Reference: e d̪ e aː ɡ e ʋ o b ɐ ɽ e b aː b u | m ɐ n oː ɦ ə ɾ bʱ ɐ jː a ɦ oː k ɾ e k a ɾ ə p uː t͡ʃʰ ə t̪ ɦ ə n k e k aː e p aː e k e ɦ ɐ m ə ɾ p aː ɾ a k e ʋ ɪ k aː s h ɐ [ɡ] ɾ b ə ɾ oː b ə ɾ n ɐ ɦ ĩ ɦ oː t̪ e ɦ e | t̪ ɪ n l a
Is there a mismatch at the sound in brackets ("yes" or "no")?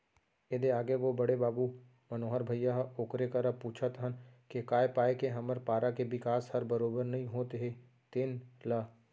yes